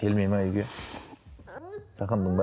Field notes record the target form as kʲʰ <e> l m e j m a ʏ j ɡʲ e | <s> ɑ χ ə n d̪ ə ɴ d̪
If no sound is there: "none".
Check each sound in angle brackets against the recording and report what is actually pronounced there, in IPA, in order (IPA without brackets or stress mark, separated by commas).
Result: e, s